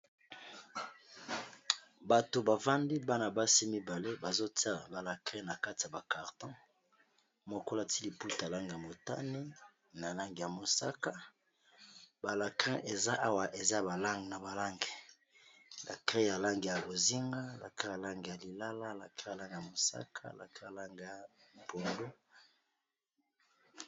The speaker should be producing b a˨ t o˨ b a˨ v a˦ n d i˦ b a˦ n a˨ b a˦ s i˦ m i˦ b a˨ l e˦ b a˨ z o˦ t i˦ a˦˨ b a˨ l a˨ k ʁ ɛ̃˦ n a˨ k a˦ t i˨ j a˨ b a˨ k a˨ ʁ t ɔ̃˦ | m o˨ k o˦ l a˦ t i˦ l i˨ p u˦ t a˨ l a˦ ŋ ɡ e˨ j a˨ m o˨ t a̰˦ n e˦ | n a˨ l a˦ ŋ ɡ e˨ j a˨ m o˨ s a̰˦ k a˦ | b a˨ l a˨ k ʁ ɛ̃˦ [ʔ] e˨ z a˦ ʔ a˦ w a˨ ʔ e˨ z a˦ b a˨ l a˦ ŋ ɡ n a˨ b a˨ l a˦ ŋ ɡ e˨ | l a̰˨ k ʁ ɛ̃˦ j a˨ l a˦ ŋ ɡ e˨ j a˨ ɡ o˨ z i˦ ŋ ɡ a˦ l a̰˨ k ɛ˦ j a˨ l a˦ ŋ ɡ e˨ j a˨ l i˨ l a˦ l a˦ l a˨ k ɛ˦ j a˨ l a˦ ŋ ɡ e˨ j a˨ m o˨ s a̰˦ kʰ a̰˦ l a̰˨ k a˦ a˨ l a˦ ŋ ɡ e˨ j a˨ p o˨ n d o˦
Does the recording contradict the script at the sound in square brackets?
no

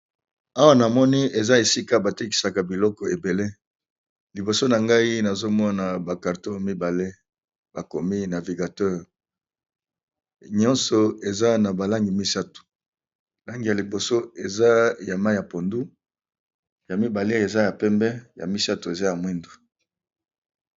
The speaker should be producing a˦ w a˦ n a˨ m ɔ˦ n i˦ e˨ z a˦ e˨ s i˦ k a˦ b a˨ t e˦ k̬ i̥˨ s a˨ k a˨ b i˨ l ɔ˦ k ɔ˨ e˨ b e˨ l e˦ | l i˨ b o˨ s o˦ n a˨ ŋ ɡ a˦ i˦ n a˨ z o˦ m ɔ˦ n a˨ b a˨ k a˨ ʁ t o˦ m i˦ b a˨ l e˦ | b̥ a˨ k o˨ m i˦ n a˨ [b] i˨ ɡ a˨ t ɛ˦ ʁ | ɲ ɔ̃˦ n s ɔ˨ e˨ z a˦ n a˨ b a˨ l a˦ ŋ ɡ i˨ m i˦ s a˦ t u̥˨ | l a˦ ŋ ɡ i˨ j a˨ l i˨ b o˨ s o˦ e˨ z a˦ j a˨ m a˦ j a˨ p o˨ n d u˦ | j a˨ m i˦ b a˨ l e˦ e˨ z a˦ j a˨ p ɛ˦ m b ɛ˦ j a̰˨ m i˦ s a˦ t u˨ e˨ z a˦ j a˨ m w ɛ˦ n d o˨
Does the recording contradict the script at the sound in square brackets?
yes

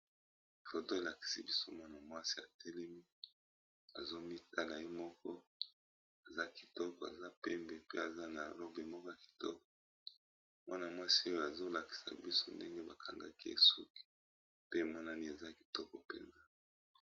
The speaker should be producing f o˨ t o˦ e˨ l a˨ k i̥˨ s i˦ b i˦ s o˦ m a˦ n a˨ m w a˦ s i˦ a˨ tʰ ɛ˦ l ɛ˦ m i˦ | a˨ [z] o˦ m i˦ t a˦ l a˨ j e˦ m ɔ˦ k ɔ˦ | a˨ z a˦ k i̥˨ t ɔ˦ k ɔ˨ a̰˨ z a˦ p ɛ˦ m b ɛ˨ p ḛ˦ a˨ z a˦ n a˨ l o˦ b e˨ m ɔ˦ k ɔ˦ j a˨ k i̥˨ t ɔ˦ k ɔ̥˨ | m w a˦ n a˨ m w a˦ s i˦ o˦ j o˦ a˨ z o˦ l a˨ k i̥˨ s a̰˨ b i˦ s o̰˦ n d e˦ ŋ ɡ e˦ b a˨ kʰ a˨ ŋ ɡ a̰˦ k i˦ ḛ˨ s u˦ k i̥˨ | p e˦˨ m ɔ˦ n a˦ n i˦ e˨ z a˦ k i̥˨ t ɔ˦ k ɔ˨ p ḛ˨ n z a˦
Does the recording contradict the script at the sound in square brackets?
no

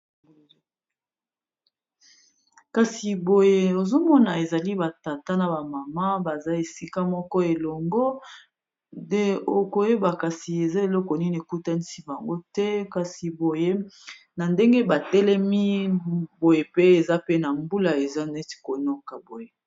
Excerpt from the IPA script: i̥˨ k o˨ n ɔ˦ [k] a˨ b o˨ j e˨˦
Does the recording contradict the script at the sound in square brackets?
no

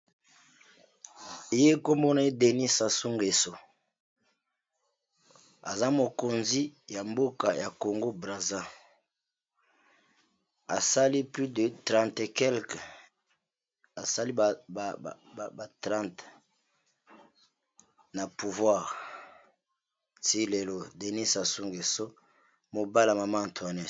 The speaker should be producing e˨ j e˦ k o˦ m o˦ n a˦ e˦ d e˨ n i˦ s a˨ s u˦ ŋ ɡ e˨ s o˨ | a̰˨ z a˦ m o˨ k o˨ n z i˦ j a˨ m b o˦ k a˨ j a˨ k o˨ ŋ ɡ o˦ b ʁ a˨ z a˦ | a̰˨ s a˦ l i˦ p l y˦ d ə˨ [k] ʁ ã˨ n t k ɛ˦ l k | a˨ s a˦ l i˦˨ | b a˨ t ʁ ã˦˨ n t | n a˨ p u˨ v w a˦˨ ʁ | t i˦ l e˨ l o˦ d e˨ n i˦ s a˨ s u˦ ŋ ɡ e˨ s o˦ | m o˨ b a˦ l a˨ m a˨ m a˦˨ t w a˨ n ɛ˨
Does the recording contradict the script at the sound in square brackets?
yes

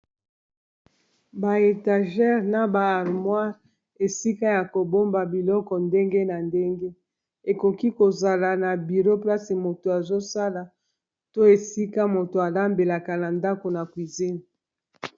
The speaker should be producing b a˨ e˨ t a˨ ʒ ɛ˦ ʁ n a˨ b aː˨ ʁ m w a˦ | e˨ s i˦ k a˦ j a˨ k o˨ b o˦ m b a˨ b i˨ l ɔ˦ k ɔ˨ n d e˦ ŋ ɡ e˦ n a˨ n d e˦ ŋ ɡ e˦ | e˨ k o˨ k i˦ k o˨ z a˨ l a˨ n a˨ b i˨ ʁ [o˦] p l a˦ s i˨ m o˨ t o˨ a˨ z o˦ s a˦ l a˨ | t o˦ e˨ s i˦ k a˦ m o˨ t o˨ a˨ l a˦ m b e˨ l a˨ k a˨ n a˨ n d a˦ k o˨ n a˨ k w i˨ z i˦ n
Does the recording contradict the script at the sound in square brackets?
no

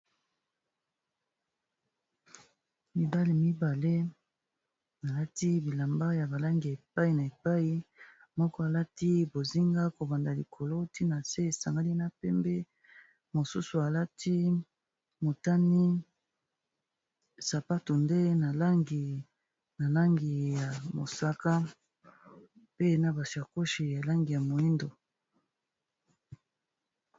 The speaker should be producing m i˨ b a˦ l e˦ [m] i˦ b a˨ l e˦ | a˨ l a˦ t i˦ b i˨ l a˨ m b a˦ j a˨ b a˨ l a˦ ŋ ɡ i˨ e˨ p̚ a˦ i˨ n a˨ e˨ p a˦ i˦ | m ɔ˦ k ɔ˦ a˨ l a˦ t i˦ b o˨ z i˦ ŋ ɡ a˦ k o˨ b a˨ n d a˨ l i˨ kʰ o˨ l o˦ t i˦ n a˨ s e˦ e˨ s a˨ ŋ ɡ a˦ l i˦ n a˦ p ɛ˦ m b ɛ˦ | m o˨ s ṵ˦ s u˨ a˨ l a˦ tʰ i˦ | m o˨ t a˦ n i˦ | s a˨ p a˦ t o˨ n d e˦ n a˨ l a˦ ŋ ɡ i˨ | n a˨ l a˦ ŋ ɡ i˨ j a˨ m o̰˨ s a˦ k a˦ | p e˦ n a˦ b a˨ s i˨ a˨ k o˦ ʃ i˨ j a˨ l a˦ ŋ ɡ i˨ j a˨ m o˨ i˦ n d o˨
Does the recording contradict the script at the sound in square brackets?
no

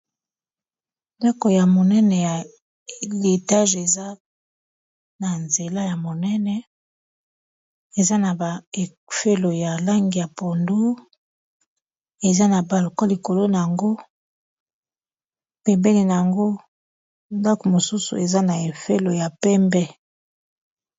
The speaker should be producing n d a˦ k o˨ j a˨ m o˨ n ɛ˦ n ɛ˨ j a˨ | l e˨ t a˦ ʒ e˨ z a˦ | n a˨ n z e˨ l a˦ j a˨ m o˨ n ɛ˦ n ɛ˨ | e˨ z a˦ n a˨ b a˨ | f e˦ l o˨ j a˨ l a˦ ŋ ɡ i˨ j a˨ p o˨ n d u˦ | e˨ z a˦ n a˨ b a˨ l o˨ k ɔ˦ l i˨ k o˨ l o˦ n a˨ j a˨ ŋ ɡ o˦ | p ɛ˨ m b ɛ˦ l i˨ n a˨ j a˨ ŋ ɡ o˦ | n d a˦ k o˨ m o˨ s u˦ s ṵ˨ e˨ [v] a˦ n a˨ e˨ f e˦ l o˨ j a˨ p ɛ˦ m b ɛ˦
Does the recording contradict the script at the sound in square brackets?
yes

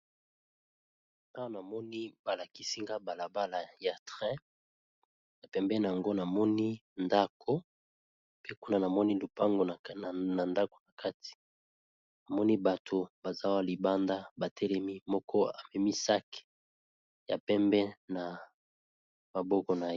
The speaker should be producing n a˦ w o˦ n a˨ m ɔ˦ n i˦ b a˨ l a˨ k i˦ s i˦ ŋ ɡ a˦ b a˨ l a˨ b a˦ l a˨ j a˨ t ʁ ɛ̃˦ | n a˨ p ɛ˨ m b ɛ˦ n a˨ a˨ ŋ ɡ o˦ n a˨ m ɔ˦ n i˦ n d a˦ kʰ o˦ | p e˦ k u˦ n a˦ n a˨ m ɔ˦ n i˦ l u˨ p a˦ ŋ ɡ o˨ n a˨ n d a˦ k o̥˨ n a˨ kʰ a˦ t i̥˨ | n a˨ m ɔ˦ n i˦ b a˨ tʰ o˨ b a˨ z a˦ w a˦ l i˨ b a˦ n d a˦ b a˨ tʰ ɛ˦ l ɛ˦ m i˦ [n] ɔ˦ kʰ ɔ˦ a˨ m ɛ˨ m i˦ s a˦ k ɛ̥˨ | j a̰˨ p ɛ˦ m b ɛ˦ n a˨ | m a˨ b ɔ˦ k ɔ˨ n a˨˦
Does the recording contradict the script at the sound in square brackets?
yes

